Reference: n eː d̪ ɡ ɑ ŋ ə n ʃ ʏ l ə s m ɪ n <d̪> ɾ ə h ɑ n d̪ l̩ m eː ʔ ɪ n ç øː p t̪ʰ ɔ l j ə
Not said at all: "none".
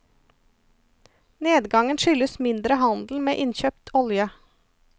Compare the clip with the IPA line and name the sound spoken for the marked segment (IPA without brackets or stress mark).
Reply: d̪